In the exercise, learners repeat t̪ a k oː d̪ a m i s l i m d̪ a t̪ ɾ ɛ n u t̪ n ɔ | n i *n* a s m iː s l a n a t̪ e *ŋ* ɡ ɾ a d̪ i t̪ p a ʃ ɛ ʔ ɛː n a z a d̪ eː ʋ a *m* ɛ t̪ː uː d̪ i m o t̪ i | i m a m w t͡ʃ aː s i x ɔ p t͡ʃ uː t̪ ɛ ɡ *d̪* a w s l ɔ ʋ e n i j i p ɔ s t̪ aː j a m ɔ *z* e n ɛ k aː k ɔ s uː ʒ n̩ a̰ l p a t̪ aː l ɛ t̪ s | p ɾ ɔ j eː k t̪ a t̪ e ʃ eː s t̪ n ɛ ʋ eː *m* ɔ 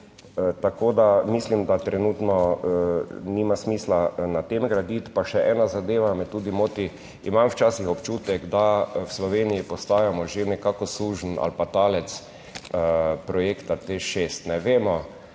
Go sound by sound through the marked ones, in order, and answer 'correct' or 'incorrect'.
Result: incorrect: m, incorrect: m, correct, correct, incorrect: ʒ, correct

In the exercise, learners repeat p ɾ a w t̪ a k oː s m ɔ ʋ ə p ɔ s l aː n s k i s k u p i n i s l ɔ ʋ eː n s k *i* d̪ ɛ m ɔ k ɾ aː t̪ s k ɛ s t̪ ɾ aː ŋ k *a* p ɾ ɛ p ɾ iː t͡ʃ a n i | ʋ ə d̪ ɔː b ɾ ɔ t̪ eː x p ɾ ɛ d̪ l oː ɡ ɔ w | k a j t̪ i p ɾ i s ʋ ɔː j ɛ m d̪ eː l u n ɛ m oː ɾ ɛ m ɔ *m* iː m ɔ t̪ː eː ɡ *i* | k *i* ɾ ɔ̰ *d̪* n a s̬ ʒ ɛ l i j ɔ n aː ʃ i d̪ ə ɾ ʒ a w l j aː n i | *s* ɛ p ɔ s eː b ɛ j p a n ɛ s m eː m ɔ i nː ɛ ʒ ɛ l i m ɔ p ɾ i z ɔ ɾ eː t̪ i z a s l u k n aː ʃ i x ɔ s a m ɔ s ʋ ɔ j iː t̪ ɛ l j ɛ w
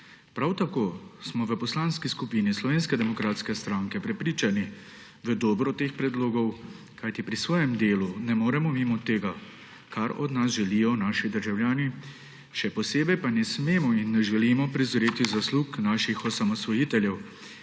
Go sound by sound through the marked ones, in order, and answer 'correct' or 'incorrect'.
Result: incorrect: ɛ, incorrect: ɛ, correct, incorrect: a, incorrect: a, correct, incorrect: ʃ

